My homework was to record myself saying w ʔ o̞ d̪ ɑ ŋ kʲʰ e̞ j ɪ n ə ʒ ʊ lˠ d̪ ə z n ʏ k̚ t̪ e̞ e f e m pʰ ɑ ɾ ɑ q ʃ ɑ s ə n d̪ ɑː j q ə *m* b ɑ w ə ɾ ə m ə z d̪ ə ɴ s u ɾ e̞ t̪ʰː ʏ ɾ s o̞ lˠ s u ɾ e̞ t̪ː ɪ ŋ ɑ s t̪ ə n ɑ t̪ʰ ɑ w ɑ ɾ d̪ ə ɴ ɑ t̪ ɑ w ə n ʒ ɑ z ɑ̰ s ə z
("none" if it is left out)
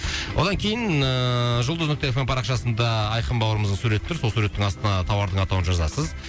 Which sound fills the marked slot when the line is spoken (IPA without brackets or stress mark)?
m